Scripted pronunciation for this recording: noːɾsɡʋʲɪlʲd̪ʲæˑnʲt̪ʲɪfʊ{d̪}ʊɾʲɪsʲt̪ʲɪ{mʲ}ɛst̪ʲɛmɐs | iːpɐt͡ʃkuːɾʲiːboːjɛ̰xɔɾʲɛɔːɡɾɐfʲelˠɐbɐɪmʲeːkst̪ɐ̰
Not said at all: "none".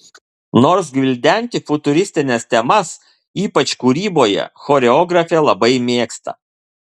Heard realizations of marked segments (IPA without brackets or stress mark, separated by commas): t̪, nʲ